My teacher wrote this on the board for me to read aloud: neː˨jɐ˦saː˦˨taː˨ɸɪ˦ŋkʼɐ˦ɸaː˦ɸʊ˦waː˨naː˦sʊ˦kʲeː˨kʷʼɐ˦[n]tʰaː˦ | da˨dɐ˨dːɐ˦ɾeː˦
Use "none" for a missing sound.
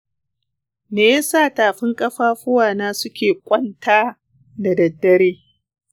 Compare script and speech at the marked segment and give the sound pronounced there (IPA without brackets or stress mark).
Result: n